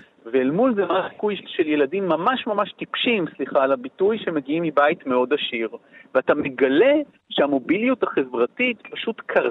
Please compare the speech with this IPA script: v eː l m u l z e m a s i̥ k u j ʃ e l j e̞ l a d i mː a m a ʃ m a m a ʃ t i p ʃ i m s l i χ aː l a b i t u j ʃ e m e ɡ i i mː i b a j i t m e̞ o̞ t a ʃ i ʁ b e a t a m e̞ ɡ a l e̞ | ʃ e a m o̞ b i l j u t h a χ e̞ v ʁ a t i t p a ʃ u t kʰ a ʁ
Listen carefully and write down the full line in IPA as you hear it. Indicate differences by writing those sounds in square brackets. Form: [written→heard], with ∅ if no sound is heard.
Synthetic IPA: v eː l m u l z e m a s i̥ k u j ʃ e l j e̞ l a d i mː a m a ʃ m a m a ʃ t i p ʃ i m s l i χ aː l a b i t u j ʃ e m e ɡ i i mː i b a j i t m e̞ o̞ [t→d] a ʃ i ʁ [b→v] e a t a m e̞ ɡ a l e̞ | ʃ e a m o̞ b i l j u t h a χ e̞ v ʁ a t i t p a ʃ u t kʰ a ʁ